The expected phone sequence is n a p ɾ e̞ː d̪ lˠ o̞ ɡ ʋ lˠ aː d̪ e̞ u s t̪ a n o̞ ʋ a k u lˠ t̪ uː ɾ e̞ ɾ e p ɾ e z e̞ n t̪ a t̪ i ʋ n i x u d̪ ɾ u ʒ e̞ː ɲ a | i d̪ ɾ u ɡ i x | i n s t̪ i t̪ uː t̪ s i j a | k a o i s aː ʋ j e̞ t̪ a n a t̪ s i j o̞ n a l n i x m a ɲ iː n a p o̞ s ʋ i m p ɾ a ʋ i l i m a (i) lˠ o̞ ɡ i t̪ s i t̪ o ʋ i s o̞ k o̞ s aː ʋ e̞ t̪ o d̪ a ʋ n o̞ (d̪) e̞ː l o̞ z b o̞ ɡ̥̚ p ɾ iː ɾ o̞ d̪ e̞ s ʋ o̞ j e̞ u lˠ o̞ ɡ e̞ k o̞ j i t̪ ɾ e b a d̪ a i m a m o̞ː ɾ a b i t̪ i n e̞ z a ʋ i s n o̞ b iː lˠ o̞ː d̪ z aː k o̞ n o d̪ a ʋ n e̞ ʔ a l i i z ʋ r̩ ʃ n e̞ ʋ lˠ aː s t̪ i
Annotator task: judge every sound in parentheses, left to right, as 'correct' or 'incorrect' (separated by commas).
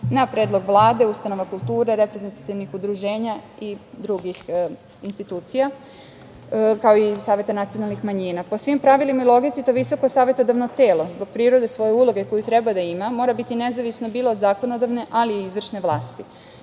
correct, incorrect